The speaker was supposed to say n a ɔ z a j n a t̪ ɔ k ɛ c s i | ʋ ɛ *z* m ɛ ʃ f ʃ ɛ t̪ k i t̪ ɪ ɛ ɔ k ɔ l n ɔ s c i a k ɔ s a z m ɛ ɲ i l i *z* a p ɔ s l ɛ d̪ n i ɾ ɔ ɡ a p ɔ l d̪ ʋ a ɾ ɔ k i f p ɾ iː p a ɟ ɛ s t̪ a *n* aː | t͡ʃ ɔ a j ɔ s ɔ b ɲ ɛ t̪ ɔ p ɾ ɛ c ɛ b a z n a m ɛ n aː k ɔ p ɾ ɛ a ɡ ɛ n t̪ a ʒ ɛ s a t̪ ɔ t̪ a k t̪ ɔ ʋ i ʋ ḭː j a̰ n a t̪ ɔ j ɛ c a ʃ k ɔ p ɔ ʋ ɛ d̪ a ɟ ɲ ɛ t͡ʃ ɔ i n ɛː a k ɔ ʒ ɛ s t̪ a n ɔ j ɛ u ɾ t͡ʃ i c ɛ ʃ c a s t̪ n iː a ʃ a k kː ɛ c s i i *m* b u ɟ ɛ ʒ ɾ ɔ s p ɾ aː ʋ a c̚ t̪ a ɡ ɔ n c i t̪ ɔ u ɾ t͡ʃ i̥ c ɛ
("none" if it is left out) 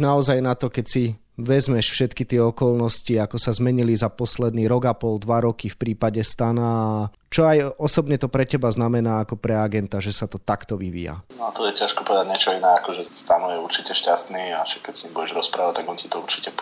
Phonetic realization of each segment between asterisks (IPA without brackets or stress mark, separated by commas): z, z, n, m